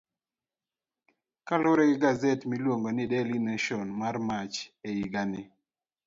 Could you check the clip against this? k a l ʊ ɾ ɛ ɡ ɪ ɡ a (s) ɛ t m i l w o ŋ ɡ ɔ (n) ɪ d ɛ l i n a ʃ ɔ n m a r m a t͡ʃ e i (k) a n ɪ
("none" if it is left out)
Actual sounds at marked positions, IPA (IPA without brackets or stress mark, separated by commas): z, n, ɡ